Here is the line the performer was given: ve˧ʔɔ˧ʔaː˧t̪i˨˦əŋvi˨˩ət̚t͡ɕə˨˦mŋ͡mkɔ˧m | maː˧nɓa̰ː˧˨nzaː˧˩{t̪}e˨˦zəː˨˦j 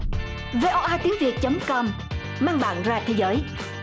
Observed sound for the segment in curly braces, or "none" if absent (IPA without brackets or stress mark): t̪ʰ